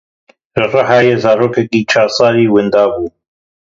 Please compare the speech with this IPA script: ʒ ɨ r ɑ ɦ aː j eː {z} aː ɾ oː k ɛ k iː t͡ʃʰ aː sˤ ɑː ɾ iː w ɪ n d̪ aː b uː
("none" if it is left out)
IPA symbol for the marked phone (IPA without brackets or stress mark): z